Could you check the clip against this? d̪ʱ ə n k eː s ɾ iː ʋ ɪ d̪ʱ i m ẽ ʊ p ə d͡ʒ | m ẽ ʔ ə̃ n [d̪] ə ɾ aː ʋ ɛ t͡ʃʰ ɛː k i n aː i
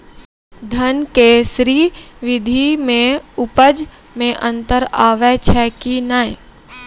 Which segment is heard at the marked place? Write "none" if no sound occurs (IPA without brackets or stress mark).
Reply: t̪